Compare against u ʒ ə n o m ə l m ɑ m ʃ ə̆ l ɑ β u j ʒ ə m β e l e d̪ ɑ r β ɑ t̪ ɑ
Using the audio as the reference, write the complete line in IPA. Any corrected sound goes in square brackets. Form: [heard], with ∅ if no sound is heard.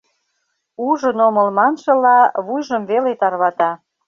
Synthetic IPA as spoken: u ʒ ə n o m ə l m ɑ [n] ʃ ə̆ l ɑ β u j ʒ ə m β e l e [t̪] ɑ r β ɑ t̪ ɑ